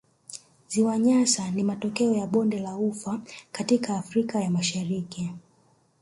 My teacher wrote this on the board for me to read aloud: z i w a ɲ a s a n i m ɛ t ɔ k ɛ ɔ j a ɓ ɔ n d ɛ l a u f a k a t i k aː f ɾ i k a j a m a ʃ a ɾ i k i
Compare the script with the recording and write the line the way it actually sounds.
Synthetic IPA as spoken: z i w a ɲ a s a n i m a t ɔ k ɛ ɔ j a ɓ ɔ n d ɛ l a u f a k a t i k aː f ɾ i k a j a m a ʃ a ɾ i k i